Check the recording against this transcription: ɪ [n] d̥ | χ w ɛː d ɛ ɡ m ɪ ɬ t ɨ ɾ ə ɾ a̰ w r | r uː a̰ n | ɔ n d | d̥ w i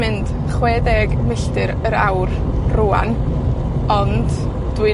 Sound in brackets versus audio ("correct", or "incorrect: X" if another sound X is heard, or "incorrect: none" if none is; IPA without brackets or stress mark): correct